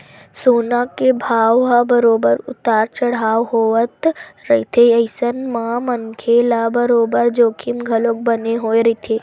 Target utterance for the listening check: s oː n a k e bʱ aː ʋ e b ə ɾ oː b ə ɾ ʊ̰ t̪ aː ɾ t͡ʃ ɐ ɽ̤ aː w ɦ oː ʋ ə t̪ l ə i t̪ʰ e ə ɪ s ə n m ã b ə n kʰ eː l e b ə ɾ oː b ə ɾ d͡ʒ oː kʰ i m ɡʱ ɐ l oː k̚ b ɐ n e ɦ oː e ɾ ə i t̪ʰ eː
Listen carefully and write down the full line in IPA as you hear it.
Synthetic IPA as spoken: s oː n a k e bʱ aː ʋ a b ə ɾ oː b ə ɾ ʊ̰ t̪ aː ɾ t͡ʃ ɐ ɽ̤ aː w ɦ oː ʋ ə t̪ ɾ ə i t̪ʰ e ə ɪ s ə n m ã m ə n kʰ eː l a b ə ɾ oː b ə ɾ d͡ʒ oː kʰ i m ɡʱ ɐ l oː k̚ b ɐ n e ɦ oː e ɾ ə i t̪ʰ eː